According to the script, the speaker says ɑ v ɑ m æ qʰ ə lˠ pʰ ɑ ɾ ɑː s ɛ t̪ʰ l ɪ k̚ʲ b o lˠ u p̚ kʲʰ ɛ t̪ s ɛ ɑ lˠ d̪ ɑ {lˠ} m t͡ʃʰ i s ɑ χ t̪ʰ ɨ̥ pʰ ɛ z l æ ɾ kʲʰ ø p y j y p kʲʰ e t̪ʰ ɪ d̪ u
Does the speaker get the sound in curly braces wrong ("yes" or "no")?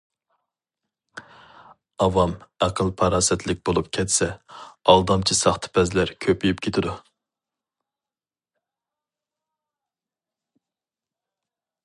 yes